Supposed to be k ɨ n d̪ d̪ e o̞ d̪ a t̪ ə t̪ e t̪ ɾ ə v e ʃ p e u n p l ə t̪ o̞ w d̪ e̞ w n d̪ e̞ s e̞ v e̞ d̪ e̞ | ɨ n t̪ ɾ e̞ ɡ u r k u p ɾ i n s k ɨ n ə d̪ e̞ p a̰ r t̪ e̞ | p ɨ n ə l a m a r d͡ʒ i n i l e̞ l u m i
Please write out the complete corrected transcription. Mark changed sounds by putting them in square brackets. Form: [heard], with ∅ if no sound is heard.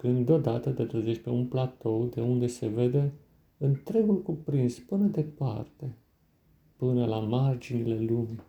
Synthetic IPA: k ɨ n d̪ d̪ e o̞ d̪ a t̪ ə t̪ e t̪ ɾ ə [z] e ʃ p e u n p l [a] t̪ o̞ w d̪ e̞ [u] n d̪ e̞ s e̞ v e̞ d̪ e̞ | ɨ n t̪ ɾ e̞ ɡ u [l] k u p ɾ i n s [p] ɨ n ə d̪ e̞ p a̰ r t̪ e̞ | p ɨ n ə l a m a r d͡ʒ i n i l e̞ l u m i